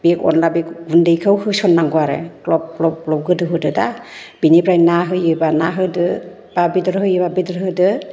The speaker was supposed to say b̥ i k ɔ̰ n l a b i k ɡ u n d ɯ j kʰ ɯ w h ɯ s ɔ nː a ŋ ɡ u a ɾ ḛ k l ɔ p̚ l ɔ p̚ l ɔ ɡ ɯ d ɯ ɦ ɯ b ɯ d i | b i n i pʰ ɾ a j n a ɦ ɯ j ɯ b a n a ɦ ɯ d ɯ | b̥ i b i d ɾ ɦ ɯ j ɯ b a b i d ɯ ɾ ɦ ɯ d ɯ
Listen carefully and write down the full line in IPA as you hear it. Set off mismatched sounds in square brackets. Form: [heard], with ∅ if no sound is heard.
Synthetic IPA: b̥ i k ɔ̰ n l a b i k ɡ u n d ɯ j kʰ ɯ w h ɯ s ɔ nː a ŋ ɡ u a ɾ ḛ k l ɔ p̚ l ɔ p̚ l ɔ ɡ ɯ d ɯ ɦ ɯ [d] ɯ d [a] | b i n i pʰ ɾ a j n a ɦ ɯ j ɯ b a n a ɦ ɯ d ɯ | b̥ [a] b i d ɾ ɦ ɯ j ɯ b a b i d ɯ ɾ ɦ ɯ d ɯ